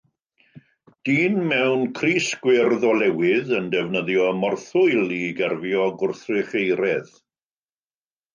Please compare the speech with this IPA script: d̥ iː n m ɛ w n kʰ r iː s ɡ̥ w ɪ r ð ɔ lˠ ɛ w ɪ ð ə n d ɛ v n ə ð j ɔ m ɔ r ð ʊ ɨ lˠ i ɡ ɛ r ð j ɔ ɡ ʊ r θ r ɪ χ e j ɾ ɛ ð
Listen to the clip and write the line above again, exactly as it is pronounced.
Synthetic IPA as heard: d̥ iː n m ɛ w n kʰ r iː s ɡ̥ w ɪ r ð ɔ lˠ ɛ w ɪ ð ə n d ɛ v n ə ð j ɔ m ɔ r θ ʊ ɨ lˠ i ɡ ɛ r v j ɔ ɡ ʊ r θ r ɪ χ e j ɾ ɛ ð